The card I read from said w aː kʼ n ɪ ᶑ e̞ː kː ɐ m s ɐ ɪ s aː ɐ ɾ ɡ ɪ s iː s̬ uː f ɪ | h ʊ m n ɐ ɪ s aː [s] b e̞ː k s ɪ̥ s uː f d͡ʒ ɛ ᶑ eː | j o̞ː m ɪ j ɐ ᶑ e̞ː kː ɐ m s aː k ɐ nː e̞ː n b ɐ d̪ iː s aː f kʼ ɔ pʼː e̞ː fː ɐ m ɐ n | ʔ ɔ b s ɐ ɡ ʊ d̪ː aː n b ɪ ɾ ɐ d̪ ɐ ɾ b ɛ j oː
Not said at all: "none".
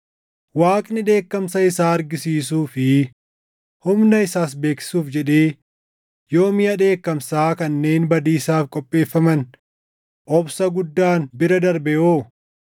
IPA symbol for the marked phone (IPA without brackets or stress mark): s